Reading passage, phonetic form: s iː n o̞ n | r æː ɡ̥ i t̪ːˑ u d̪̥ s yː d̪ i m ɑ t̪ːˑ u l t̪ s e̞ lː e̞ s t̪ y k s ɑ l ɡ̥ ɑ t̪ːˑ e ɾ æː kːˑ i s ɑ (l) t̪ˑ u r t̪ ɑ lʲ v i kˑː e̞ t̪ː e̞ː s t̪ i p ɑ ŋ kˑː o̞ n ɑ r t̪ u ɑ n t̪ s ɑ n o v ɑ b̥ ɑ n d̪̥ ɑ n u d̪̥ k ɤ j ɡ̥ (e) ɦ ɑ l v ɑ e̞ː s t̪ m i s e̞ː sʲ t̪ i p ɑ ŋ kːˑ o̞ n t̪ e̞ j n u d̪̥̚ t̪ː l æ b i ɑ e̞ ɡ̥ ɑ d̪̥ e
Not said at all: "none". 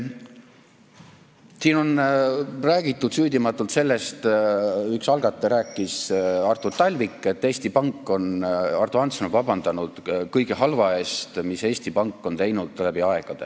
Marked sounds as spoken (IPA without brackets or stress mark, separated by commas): r, e